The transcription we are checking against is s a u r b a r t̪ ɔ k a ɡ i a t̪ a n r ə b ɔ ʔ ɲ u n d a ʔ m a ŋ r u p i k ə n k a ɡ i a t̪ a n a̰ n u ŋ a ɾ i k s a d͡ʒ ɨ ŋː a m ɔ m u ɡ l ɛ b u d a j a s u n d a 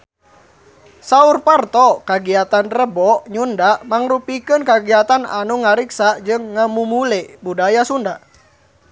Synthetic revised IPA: s a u r p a r t̪ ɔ k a ɡ i a t̪ a n r ə b ɔ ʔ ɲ u n d a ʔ m a ŋ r u p i k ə n k a ɡ i a t̪ a n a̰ n u ŋ a ɾ i k s a d͡ʒ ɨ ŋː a m u m u l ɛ b u d a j a s u n d a